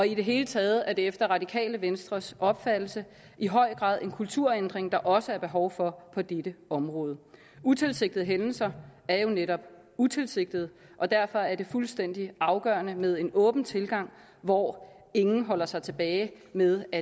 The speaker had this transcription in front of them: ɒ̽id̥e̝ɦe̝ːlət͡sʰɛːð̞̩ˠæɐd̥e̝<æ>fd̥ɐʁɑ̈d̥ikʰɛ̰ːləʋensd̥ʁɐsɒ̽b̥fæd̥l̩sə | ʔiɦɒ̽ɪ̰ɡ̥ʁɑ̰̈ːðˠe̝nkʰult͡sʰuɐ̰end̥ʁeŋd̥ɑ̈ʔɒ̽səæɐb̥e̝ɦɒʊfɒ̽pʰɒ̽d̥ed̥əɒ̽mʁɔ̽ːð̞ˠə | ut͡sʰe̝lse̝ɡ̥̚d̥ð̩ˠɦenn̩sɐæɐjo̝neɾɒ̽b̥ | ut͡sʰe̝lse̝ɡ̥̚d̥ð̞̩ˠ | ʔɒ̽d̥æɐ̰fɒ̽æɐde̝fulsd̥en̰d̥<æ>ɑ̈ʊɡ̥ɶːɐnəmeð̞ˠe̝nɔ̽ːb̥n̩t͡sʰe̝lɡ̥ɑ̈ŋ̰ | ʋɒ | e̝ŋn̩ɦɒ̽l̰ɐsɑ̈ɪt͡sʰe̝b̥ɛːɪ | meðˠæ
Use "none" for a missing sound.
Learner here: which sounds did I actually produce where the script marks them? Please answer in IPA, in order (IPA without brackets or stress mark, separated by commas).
e, i